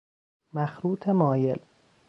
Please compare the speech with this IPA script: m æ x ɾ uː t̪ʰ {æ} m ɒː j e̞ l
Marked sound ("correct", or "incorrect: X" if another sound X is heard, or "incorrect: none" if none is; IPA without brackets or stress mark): incorrect: e